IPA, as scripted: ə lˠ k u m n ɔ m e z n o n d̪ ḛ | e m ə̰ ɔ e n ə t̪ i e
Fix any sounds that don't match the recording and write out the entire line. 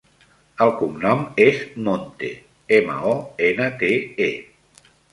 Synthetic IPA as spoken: ə lˠ k u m n ɔ m e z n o n t̪ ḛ | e m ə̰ ɔ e n ə t̪ e e